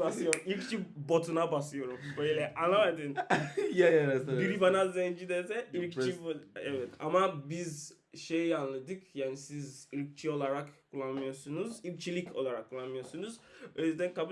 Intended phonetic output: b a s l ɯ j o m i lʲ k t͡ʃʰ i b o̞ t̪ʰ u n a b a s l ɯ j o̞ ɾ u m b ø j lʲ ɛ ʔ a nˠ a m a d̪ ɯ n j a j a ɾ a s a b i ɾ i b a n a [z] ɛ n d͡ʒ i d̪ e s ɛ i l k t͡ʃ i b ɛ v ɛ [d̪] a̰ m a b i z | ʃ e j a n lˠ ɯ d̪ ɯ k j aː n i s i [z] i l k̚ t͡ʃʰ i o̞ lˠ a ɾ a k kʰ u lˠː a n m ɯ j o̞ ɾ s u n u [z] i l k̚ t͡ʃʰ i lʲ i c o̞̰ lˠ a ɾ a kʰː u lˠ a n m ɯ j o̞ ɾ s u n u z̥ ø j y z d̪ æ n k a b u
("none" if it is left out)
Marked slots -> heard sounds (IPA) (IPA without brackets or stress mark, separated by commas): z, t̪, z, z